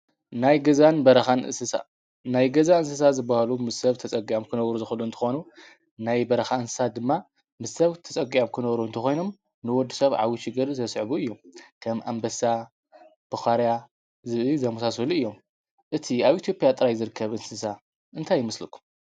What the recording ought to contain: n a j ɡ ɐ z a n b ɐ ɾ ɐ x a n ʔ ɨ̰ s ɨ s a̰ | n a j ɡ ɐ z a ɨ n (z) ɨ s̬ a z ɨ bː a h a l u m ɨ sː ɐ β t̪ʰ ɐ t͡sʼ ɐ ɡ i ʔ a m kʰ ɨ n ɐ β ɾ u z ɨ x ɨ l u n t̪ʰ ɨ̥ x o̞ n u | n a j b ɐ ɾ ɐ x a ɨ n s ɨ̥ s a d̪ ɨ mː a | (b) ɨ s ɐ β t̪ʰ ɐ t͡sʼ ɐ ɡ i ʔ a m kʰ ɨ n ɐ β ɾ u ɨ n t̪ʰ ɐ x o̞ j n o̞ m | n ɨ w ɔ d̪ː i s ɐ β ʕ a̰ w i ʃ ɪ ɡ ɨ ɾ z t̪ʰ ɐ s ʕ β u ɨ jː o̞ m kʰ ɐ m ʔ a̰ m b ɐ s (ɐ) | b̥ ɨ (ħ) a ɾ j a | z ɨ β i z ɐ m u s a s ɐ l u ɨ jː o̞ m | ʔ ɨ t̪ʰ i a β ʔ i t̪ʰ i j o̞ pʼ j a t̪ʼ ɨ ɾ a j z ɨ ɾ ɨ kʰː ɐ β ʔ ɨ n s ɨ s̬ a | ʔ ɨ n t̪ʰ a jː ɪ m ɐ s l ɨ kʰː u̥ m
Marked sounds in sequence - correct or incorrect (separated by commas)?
incorrect, incorrect, incorrect, incorrect